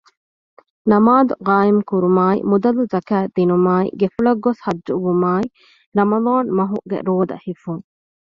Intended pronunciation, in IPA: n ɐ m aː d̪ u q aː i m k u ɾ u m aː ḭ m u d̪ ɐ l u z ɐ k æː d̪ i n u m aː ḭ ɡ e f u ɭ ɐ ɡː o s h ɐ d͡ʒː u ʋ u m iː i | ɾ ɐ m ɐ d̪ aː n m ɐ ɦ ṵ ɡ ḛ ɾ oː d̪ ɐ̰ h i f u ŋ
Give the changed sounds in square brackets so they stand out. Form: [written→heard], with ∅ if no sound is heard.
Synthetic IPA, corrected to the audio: n ɐ m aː d̪ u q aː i m k u ɾ u m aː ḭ m u d̪ ɐ l u z ɐ k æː d̪ i n u m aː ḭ ɡ e f u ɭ ɐ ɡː o s h ɐ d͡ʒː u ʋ u m [iː→aː] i | ɾ ɐ m ɐ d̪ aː n m ɐ ɦ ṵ ɡ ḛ ɾ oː d̪ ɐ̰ h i f u ŋ